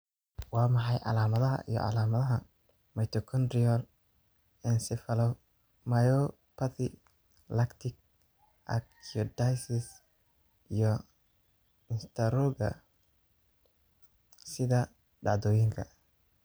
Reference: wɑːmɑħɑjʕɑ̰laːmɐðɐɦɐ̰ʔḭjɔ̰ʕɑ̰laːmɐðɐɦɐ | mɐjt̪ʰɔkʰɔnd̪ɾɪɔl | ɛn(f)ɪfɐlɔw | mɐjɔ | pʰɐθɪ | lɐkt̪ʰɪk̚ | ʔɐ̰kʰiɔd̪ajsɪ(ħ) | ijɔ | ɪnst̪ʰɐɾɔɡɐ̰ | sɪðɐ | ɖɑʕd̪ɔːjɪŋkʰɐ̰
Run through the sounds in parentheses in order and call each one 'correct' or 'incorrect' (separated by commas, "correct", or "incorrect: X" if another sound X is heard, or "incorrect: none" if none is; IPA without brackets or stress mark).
incorrect: s, incorrect: s